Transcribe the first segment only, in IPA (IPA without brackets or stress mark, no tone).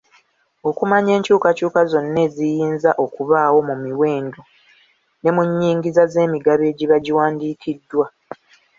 o̞